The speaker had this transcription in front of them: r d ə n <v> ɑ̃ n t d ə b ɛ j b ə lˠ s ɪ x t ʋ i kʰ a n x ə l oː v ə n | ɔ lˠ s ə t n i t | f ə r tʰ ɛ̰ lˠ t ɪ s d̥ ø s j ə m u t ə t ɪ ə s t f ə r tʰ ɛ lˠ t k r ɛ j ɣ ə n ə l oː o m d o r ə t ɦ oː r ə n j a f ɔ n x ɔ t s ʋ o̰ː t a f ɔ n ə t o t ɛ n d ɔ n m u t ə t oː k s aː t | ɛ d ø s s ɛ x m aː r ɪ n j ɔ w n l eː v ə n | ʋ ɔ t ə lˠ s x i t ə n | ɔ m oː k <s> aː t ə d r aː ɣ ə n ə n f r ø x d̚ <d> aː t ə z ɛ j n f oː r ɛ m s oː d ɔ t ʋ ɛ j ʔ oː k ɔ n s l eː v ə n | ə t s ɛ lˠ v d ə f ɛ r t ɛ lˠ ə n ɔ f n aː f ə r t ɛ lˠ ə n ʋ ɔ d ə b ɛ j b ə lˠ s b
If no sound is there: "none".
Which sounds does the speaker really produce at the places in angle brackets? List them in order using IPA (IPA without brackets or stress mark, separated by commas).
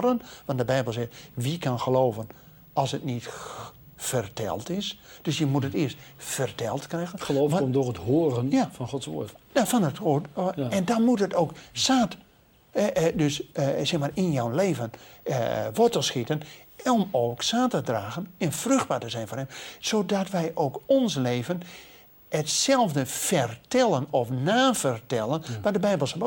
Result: ʋ, s, b